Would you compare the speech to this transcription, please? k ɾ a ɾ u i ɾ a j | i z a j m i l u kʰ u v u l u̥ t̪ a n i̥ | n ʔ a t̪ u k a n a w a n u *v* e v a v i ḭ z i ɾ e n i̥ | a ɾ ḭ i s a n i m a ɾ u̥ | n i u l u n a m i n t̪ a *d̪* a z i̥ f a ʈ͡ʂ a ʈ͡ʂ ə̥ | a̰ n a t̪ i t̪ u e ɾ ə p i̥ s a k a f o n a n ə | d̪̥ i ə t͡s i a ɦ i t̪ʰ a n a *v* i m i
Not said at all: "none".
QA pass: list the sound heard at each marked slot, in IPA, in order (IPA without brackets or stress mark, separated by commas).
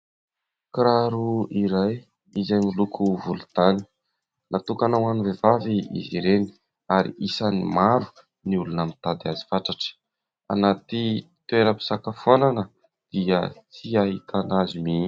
v, d̪, z